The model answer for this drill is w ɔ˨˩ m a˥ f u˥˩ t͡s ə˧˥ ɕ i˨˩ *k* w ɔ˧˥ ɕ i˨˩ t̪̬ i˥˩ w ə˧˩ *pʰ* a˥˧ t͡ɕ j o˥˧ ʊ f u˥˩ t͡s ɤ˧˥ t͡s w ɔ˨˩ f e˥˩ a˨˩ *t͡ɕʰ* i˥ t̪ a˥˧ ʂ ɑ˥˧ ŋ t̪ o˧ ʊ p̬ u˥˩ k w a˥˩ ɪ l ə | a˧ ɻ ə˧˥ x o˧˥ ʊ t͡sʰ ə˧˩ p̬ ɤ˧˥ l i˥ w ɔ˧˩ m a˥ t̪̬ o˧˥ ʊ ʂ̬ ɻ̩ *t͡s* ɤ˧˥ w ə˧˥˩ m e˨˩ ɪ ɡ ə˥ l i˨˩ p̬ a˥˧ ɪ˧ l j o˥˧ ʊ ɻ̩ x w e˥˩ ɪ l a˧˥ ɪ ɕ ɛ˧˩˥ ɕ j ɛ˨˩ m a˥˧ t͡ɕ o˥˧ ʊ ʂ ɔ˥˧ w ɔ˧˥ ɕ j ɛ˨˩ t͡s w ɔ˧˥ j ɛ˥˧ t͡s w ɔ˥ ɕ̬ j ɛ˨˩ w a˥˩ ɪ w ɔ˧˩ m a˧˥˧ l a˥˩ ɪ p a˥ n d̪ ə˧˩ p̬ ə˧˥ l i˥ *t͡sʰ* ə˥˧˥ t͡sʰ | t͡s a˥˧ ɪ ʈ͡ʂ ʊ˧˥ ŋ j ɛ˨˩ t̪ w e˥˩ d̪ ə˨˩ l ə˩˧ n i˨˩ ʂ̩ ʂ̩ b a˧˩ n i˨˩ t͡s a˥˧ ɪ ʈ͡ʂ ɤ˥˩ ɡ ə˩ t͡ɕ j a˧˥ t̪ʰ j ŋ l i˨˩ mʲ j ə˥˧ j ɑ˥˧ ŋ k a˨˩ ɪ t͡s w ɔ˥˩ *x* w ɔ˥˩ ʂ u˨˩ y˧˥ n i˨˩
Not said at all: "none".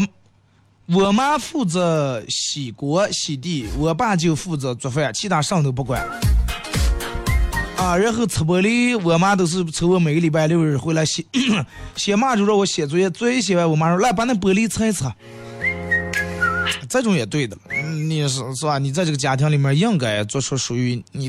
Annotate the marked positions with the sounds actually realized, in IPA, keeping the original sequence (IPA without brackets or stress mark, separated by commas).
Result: k, p, t͡ɕʰ, t͡sʰ, t͡sʰ, ʂ